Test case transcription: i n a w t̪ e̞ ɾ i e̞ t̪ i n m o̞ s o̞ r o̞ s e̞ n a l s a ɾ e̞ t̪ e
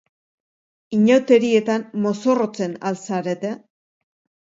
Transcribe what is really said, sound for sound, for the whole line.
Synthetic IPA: i ɲ a w t̪ e̞ ɾ i e̞ t̪ a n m o̞ s o̞ r o̞ t͡s e̞ n a l s a ɾ e̞ t̪ e